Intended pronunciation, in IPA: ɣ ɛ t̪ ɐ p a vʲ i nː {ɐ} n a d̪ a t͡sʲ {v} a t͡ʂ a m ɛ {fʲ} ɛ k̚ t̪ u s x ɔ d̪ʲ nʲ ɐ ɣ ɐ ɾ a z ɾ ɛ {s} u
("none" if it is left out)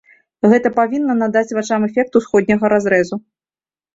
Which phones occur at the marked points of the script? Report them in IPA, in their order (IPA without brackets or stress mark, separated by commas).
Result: ɐ, v, fʲ, z